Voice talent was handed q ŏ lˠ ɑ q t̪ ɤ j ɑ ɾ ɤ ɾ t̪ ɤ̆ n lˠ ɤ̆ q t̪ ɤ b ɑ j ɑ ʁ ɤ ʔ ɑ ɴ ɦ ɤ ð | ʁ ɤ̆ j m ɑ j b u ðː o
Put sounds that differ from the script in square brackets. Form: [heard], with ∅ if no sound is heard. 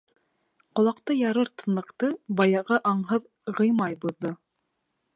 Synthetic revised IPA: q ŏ lˠ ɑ q t̪ ɤ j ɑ ɾ ɤ ɾ t̪ ɤ̆ n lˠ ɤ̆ q t̪ ɤ b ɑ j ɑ ʁ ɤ ʔ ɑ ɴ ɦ ɤ ð | ʁ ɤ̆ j m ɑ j b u ðː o

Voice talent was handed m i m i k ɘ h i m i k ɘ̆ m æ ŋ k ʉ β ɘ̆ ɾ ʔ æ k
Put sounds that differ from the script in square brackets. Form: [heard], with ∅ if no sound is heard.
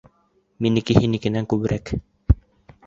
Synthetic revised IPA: m i [n] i k ɘ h i [n] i k ɘ̆ [n] æ ŋ k ʉ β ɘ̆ ɾ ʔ æ k

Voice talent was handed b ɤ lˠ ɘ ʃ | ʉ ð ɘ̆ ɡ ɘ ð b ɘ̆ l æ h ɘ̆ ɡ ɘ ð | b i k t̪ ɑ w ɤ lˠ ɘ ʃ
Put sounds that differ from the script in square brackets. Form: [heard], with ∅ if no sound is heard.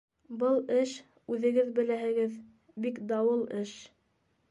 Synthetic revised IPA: b ɤ lˠ ɘ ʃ | ʉ ð ɘ̆ ɡ ɘ ð b ɘ̆ l æ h ɘ̆ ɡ ɘ ð | b i k [d̪] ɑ w ɤ lˠ ɘ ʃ

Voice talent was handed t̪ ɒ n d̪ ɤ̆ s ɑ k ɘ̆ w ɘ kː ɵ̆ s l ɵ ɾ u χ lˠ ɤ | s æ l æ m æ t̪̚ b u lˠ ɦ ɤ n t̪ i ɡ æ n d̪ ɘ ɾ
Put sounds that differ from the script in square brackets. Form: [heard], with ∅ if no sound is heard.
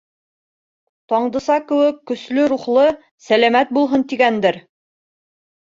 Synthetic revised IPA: t̪ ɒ [ɴ] d̪ ɤ̆ s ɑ k ɘ̆ w ɘ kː ɵ̆ s l ɵ ɾ u χ lˠ ɤ | s æ l æ m æ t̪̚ b u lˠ ɦ ɤ n t̪ i ɡ æ n d̪ ɘ ɾ

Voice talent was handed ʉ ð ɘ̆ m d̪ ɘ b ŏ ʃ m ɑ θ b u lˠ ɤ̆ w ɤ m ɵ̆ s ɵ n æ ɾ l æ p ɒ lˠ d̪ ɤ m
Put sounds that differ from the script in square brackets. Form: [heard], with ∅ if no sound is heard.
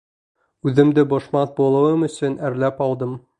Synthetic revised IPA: ʉ ð ɘ̆ m d̪ ɘ b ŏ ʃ m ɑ θ b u lˠ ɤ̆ w ɤ m ɵ̆ s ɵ n æ ɾ l æ p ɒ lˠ d̪ ɤ m

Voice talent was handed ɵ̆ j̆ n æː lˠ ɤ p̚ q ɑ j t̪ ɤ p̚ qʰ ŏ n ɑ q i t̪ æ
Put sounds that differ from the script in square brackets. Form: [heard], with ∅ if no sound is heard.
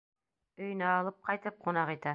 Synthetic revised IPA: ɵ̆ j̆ n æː lˠ ɤ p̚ q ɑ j t̪ ɤ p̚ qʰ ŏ n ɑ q i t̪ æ

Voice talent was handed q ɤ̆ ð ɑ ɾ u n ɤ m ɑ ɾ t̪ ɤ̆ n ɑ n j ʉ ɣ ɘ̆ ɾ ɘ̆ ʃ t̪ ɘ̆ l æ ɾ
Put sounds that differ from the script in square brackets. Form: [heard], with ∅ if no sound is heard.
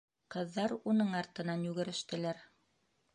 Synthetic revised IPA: q ɤ̆ [ðː] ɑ ɾ u n ɤ [ɴ] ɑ ɾ t̪ ɤ̆ n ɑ n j ʉ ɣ ɘ̆ ɾ ɘ̆ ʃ t̪ ɘ̆ l æ ɾ

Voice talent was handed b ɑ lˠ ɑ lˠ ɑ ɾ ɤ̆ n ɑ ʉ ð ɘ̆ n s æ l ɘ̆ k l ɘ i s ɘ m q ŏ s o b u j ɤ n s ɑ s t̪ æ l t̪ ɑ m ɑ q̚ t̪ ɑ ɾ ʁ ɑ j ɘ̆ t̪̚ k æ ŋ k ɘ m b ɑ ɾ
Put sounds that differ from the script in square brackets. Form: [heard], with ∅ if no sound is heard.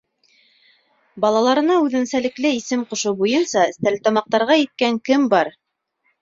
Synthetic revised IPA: b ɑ lˠ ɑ lˠ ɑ ɾ ɤ̆ n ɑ ʉ ð ɘ̆ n s æ l ɘ̆ k l ɘ i s ɘ m q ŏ [ʃ] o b u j ɤ n s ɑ s t̪ æ l t̪ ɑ m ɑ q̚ t̪ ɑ ɾ ʁ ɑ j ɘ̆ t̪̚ k æ ŋ k ɘ m b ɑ ɾ

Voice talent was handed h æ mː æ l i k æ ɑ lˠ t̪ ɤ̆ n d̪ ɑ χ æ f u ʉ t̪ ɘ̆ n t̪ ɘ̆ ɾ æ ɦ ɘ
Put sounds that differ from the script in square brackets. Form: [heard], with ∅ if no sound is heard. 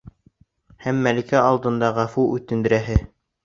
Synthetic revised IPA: h æ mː æ l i k æ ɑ lˠ [d̪] ɤ̆ n d̪ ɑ [ʁ] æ f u ʉ t̪ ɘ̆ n [d̪] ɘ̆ ɾ æ ɦ ɘ

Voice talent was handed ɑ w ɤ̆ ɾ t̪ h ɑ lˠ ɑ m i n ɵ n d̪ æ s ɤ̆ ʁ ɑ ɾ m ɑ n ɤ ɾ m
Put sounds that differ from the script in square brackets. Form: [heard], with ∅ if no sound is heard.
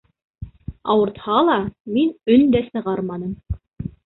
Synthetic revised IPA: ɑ w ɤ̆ ɾ t̪ h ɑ lˠ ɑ m i n ɵ n d̪ æ s ɤ̆ ʁ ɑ ɾ m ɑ n ɤ [∅] m

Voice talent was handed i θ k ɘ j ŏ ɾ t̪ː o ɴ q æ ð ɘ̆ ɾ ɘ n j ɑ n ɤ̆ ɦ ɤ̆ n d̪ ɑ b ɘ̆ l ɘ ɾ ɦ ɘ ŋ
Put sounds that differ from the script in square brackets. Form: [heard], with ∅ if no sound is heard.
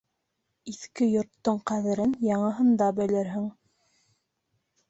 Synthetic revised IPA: i θ k ɘ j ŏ ɾ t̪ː o ɴ q æ ð ɘ̆ ɾ ɘ n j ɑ [ɴ] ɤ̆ ɦ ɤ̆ n d̪ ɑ b ɘ̆ l ɘ ɾ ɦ ɘ ŋ

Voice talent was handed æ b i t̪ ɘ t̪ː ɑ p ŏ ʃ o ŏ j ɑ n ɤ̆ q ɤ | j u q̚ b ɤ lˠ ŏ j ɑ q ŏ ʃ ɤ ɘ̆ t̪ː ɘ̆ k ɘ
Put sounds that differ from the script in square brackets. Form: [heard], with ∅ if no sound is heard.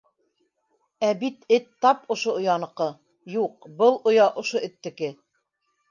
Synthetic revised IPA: æ b i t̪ ɘ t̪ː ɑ p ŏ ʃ o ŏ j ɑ n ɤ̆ q ɤ | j u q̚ b ɤ lˠ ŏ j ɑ [ʔ] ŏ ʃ [o] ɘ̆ t̪ː ɘ̆ k ɘ

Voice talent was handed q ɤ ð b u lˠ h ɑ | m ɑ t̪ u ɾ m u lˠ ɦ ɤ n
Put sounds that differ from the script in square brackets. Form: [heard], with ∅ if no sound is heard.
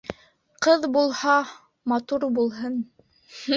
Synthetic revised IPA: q ɤ ð b u lˠ h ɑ | m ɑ t̪ u ɾ [b] u lˠ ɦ ɤ n

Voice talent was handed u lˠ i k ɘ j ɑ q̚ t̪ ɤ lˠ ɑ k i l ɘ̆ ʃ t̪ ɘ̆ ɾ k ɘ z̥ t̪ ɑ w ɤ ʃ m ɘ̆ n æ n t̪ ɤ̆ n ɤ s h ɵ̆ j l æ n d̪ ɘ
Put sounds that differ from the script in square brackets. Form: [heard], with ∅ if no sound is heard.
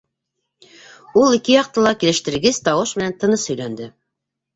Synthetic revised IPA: u lˠ i k ɘ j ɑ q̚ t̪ ɤ lˠ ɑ k i l ɘ̆ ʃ t̪ ɘ̆ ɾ [ɡ] ɘ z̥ t̪ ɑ w ɤ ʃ m ɘ̆ n æ n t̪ ɤ̆ n ɤ s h ɵ̆ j l æ n d̪ ɘ

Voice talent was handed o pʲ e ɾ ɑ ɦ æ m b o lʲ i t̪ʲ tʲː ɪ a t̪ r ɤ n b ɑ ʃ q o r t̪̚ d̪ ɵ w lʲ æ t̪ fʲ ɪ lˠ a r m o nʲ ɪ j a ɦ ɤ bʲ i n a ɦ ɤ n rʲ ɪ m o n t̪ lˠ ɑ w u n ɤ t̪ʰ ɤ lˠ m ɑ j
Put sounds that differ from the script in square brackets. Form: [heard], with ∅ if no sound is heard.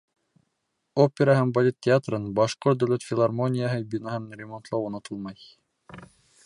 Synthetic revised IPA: o pʲ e ɾ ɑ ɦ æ m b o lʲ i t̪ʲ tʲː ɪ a t̪ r ɤ n b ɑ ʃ q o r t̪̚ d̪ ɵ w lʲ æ t̪ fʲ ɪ lˠ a r m o nʲ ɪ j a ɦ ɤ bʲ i n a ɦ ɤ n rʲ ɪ m o n t̪ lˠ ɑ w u n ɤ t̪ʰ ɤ lˠ m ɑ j

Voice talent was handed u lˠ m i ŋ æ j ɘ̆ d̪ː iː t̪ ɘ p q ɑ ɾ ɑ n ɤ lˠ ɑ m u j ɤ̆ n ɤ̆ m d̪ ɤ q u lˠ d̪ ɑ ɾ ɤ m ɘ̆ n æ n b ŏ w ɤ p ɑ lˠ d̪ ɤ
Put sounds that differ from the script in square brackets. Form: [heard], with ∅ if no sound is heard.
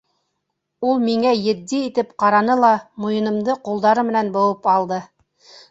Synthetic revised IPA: u lˠ m i ŋ æ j ɘ̆ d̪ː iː t̪ ɘ p q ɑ ɾ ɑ n ɤ lˠ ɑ m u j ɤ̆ n ɤ̆ m d̪ ɤ q u lˠ d̪ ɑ ɾ ɤ m ɘ̆ n æ n b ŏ w ɤ p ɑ lˠ d̪ ɤ

